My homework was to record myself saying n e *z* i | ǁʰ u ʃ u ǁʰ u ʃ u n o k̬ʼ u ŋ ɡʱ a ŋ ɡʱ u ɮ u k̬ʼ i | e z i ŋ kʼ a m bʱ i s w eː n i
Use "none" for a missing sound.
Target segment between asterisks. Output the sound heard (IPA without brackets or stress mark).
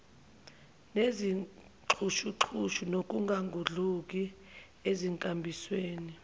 z